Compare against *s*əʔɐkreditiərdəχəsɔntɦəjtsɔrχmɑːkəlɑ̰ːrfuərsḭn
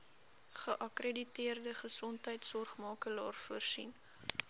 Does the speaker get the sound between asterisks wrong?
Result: yes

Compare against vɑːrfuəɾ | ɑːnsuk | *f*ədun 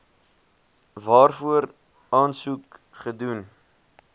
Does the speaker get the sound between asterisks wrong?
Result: yes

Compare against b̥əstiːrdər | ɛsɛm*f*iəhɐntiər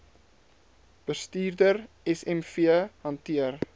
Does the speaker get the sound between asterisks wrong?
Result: no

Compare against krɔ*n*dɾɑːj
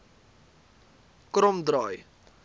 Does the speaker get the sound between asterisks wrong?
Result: yes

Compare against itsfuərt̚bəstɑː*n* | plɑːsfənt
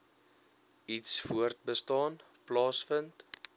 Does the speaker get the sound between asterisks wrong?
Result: no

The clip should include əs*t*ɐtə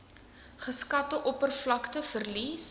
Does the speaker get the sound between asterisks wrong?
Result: yes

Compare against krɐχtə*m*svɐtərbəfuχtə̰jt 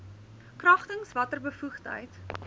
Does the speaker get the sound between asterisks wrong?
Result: yes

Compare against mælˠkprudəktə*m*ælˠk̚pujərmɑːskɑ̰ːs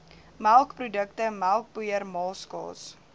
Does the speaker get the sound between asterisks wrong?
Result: no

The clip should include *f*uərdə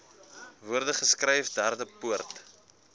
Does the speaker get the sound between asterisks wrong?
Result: yes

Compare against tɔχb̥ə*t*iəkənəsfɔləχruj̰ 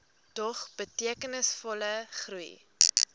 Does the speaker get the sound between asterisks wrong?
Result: no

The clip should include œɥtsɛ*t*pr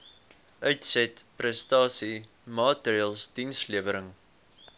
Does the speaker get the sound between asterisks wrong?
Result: no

